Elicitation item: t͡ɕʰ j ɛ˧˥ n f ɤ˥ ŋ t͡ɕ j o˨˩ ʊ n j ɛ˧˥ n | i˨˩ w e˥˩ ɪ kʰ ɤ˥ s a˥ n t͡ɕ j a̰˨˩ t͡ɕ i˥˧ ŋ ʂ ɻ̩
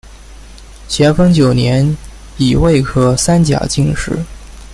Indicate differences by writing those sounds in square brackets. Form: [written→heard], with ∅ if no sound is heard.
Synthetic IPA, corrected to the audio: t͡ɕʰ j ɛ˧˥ n f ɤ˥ ŋ t͡ɕ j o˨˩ ʊ n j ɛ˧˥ n | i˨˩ w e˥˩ ɪ kʰ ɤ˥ s a˥ n t͡ɕ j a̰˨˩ t͡ɕ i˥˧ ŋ ʂ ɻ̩